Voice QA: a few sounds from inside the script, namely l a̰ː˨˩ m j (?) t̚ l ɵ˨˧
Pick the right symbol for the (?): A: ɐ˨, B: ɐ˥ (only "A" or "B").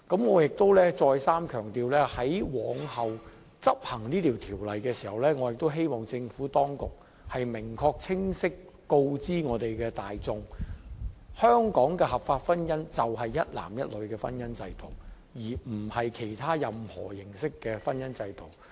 B